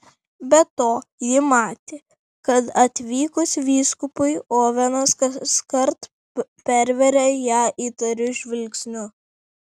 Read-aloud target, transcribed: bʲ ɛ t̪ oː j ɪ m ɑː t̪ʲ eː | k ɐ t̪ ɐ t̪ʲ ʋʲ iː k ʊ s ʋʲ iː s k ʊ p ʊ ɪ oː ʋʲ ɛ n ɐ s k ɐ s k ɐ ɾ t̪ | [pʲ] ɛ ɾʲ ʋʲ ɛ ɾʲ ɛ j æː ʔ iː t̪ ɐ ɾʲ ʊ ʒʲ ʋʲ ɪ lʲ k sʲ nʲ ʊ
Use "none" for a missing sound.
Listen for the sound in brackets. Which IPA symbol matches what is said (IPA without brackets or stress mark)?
pʲ